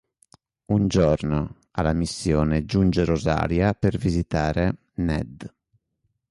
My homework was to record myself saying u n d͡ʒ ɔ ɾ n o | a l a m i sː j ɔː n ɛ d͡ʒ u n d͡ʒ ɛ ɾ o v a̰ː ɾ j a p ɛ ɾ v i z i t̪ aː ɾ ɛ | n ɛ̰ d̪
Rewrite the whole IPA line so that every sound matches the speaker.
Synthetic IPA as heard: u n d͡ʒ ɔ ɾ n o | a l a m i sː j ɔː n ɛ d͡ʒ u n d͡ʒ ɛ ɾ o z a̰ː ɾ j a p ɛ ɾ v i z i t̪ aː ɾ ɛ | n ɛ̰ d̪

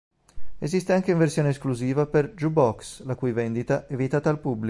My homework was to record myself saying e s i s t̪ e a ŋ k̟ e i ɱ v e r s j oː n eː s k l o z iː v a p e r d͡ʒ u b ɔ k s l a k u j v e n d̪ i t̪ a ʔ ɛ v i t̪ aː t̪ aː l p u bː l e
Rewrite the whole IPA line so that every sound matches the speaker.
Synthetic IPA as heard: e z i s t̪ e a ŋ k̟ e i ɱ v e r s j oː n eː s k l u z iː v a p e r d͡ʒ u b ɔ k s l a k u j v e n d̪ i t̪ a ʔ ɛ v i t̪ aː t̪ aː l p u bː l i

